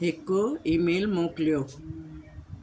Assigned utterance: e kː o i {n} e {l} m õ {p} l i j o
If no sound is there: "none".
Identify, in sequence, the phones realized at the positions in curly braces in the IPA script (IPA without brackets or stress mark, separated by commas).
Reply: m, l, k